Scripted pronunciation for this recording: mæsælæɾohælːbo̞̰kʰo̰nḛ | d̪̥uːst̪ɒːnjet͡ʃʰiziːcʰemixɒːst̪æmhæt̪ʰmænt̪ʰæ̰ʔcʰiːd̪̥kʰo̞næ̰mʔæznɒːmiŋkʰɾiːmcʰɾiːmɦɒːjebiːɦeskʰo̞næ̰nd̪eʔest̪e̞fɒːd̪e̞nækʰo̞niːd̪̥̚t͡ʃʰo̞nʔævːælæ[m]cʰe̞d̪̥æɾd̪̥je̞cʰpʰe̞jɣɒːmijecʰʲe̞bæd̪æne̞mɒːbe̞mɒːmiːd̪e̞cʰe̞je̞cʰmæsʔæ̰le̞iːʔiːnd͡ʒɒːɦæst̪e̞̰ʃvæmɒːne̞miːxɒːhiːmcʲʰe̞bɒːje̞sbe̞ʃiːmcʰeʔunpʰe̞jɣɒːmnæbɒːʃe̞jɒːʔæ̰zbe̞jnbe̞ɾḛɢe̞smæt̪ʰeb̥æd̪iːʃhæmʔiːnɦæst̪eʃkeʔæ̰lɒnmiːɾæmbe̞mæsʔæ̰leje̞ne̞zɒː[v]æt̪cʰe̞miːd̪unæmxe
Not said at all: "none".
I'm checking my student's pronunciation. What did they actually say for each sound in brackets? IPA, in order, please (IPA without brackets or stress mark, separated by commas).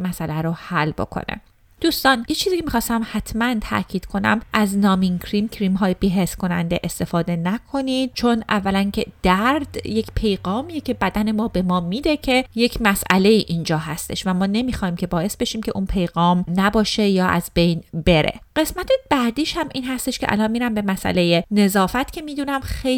n, f